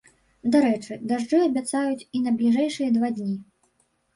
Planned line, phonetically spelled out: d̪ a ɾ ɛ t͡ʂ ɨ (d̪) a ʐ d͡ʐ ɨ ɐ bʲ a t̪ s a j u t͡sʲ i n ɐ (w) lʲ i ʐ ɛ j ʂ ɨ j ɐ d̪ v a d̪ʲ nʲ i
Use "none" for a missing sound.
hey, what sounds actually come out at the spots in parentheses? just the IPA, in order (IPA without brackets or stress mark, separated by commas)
d̪, b